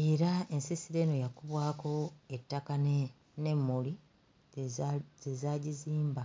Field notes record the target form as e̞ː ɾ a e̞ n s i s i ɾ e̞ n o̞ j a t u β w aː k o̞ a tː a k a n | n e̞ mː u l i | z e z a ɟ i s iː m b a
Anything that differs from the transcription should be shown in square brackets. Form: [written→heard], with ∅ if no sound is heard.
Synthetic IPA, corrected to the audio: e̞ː ɾ a e̞ n s i s i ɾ e̞ n o̞ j a [t→k] u β w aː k o̞ [a→e] tː a k a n | n e̞ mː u l i | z e z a ɟ i [s→z] iː m b a